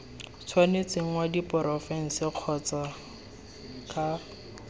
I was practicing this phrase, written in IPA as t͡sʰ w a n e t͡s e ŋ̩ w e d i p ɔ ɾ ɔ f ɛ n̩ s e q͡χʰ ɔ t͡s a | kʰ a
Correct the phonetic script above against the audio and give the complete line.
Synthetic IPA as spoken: t͡sʰ w a n e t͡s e ŋ̩ w a d i p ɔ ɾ ɔ f ɛ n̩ s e q͡χʰ ɔ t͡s a | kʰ a